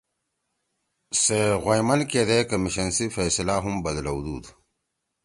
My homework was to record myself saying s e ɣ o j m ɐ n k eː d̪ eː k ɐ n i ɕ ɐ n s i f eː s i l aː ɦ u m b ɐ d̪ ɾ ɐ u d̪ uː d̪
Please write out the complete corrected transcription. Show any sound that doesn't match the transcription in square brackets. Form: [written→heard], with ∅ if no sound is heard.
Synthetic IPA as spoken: s e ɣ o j m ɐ n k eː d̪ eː k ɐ [n→m] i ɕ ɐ n s i f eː s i l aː ɦ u m b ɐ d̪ [ɾ→l] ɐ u d̪ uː d̪